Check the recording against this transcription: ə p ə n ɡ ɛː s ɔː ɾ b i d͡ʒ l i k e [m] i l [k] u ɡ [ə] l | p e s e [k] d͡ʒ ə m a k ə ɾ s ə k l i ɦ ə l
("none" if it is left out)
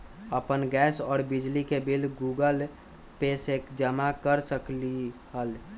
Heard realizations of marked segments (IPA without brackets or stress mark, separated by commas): b, ɡ, ə, k